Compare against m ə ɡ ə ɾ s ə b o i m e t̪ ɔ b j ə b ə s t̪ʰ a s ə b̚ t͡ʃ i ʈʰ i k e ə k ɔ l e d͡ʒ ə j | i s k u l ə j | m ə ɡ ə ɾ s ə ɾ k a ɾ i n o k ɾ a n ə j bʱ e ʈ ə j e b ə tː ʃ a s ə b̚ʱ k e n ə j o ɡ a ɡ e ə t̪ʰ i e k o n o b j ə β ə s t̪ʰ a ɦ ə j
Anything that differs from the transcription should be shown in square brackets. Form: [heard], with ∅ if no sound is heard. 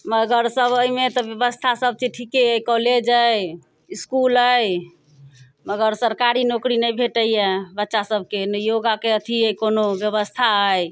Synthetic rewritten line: m ə ɡ ə ɾ s ə b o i m e t̪ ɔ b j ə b ə s t̪ʰ a s ə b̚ t͡ʃ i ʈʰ i k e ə k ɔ l e d͡ʒ ə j | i s k u l ə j | m ə ɡ ə ɾ s ə ɾ k a ɾ i n o k ɾ [i] n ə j bʱ e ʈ ə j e b ə tː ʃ a s ə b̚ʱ k e n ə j o ɡ a [k] e ə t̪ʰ i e k o n o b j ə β ə s t̪ʰ a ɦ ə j